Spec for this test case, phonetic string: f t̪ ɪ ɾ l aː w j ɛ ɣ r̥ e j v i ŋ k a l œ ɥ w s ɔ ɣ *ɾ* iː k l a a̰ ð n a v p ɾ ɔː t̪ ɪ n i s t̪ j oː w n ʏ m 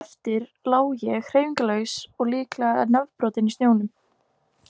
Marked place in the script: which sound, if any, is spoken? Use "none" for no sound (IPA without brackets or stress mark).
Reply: l